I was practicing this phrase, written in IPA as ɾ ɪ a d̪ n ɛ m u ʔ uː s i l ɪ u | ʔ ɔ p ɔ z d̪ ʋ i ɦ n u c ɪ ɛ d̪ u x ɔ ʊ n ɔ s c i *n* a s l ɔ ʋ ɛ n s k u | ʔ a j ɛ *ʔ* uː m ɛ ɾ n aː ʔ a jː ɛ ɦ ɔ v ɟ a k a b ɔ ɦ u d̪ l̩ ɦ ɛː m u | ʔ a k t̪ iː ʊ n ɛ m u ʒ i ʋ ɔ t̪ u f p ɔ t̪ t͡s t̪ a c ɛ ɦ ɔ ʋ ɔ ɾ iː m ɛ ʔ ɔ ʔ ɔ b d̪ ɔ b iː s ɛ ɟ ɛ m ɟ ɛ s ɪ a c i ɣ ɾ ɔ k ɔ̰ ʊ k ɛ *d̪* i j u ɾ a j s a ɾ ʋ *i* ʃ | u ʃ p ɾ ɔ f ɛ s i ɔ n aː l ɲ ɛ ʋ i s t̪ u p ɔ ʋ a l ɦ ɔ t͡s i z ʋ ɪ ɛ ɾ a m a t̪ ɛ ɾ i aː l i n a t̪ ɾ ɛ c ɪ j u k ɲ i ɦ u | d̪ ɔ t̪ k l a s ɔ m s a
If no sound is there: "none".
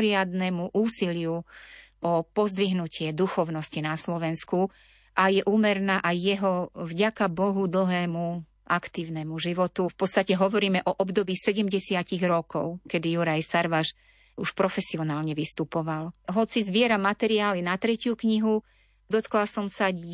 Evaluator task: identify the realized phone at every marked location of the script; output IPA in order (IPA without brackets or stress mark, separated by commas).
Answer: n, ʔ, d̪, a